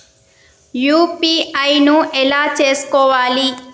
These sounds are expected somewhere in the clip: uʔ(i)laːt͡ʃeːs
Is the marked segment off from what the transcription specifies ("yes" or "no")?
yes